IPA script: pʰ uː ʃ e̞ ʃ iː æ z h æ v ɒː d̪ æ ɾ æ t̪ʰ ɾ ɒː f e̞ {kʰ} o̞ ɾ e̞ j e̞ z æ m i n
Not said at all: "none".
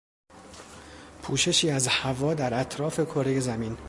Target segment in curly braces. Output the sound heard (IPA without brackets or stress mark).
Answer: kʰ